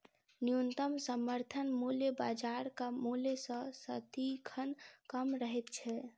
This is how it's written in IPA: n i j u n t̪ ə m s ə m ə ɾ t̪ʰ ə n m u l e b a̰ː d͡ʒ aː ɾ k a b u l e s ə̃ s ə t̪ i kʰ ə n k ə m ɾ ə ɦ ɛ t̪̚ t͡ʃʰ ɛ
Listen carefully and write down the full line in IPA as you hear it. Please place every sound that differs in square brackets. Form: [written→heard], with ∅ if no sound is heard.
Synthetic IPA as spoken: n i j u n t̪ ə m s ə m ə ɾ t̪ʰ ə n m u l e b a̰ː d͡ʒ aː ɾ k a [b→m] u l e s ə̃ s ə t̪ i kʰ ə n k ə m ɾ ə ɦ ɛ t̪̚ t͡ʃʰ ɛ